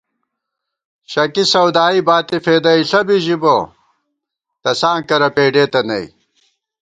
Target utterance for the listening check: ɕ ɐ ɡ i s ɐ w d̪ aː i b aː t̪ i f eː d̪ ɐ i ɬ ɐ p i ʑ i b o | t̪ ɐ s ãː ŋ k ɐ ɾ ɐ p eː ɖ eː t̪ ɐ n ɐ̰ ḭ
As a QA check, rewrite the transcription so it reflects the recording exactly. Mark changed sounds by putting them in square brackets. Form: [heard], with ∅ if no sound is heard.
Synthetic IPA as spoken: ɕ ɐ [k] i s ɐ w d̪ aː i b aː t̪ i f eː d̪ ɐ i ɬ ɐ [b] i ʑ i b o | t̪ ɐ s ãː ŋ k ɐ ɾ ɐ p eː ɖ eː t̪ ɐ n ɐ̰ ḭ